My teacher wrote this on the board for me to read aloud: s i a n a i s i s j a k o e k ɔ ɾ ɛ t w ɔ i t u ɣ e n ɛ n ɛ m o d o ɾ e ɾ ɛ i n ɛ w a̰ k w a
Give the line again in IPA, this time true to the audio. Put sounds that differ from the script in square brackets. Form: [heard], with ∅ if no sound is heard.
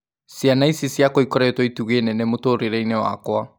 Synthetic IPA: s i a n a i s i s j a k o [i] k ɔ ɾ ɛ t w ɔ i t u ɣ e n ɛ n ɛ m o [t] o ɾ e ɾ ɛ i n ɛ w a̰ k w a

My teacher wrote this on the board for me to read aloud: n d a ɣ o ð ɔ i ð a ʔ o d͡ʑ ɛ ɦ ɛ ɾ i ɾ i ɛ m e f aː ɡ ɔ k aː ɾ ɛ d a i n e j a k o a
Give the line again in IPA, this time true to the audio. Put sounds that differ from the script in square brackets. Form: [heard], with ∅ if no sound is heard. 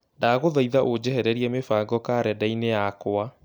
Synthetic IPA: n d a ɣ o ð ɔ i ð a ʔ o d͡ʑ ɛ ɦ ɛ ɾ [ɛ] ɾ i ɛ m e f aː ɡ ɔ k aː ɾ ɛ d a i n e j a k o a

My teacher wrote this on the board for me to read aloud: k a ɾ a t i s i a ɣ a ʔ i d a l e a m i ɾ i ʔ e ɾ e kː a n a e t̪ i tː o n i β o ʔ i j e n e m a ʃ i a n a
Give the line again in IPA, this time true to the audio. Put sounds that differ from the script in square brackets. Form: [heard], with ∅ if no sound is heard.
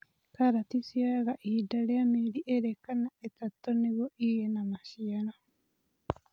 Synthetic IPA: k a ɾ a t i s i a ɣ a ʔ i d a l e a m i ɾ i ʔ e ɾ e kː a n a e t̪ [a] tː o n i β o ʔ i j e n [a] m a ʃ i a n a

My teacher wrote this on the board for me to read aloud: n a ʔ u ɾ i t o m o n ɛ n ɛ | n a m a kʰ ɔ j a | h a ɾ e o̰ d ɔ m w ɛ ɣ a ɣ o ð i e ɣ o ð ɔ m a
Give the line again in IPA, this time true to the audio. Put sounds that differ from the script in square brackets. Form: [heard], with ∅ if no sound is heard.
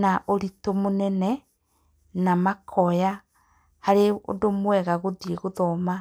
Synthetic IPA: n a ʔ [o] ɾ i t o m o n ɛ n ɛ | n a m a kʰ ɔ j a | h a ɾ e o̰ d [o] m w ɛ ɣ a ɣ o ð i e ɣ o ð ɔ m a

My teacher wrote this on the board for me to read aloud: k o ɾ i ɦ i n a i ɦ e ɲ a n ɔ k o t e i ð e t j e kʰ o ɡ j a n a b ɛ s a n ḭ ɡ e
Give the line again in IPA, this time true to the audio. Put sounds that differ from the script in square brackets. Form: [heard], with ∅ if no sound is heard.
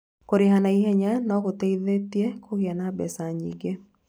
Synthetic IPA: k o ɾ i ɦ [a] n a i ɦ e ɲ a n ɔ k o t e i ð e t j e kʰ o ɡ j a n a b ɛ s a [ɲ] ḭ ɡ e

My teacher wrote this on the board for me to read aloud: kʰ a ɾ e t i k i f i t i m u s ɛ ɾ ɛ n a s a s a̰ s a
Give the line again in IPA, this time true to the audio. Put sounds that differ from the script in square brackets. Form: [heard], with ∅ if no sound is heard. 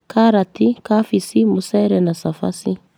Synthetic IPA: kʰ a ɾ [a] t i k [a] f i [s] i m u s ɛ ɾ ɛ n a s a [f] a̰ s [i]

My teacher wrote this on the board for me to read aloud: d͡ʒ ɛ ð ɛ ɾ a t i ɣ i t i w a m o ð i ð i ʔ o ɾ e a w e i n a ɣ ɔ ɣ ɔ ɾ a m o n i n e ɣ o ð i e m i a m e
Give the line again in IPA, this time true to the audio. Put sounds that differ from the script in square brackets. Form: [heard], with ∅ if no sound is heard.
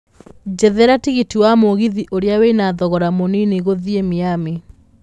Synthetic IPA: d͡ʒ ɛ ð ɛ ɾ a t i ɣ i t i w a m o [ɣ] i ð i ʔ o ɾ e a w e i n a [ð] ɔ ɣ ɔ ɾ a m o n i n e ɣ o ð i e m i a m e

